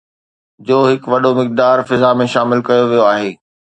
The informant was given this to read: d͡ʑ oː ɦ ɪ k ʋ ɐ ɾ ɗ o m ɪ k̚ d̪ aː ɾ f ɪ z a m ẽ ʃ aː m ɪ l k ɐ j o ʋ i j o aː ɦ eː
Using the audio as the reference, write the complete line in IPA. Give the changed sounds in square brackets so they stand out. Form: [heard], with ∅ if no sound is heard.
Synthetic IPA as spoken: d͡ʑ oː ɦ ɪ k ʋ ɐ [∅] ɗ o m ɪ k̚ d̪ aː ɾ f ɪ z a m ẽ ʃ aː m ɪ l k ɐ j o ʋ i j o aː ɦ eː